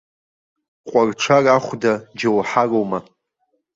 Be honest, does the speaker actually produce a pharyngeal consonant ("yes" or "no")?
yes